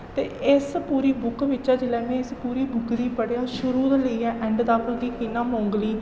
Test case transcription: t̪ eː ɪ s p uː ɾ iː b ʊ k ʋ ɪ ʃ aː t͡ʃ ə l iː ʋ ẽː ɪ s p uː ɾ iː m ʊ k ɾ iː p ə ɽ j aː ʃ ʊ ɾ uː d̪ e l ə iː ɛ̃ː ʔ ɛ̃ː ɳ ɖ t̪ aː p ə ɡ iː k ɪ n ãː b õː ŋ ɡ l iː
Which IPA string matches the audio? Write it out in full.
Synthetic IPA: t̪ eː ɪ s p uː ɾ iː b ʊ k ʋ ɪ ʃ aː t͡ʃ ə l ɛː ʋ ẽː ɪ s p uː ɾ iː b ʊ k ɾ iː p ə ɽ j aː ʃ ʊ ɾ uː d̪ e l ə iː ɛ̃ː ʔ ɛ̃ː ɳ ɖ d̪ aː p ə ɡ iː k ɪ n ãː m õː ŋ ɡ l iː